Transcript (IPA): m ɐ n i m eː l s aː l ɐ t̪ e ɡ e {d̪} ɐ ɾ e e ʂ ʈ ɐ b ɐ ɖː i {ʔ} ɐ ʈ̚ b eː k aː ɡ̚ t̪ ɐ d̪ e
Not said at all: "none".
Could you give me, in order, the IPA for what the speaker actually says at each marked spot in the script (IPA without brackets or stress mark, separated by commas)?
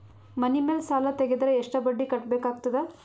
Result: d̪, k